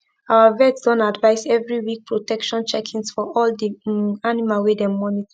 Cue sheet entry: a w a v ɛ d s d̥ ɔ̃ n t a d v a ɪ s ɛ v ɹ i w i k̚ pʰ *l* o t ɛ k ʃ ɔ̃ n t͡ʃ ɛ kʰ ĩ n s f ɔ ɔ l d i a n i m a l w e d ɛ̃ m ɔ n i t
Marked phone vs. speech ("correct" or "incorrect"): incorrect